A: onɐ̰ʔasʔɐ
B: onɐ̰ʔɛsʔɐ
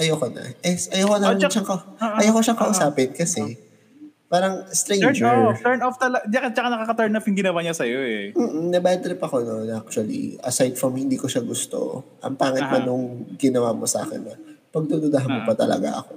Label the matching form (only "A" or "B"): B